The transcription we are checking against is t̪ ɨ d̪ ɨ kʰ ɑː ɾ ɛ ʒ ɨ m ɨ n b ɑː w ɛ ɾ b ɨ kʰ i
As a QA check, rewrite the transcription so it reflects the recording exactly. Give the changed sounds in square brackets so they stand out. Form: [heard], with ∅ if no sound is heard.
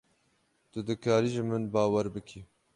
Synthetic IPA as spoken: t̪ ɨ d̪ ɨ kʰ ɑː ɾ [i] ʒ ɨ m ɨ n b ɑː w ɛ ɾ b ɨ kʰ i